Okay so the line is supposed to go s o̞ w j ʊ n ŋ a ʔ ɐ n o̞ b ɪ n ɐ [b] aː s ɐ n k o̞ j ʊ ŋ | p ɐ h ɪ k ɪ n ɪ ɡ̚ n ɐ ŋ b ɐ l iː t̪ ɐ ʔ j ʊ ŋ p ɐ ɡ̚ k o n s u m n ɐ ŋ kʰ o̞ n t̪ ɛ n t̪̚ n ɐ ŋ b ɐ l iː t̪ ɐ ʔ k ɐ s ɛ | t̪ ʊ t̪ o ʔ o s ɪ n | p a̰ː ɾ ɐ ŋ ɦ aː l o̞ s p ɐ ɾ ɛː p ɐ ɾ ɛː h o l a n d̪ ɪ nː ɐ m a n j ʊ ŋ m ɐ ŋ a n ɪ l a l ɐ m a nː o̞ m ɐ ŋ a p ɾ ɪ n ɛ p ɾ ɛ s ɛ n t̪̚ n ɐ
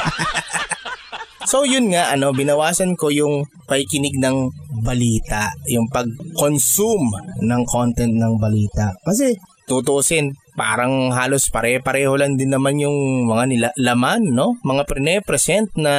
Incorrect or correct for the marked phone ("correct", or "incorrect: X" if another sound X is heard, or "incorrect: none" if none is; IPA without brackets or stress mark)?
incorrect: w